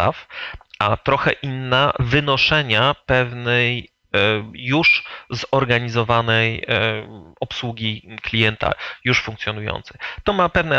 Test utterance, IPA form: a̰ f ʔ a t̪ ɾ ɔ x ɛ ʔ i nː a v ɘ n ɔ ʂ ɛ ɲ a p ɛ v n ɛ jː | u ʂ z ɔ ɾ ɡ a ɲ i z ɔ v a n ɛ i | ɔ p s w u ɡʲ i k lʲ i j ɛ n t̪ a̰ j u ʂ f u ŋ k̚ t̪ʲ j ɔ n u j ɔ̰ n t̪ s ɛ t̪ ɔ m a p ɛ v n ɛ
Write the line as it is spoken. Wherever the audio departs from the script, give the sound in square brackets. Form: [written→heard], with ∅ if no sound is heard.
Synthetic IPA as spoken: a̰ f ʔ a t̪ ɾ ɔ x ɛ ʔ i nː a v ɘ n ɔ ʂ ɛ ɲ a p ɛ v n ɛ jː | u ʂ z ɔ ɾ ɡ a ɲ i z ɔ v a n ɛ [i→j] | ɔ p s w u ɡʲ i k lʲ i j ɛ n t̪ a̰ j u ʂ f u ŋ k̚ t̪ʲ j ɔ n u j ɔ̰ n t̪ s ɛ t̪ ɔ m a p ɛ v n ɛ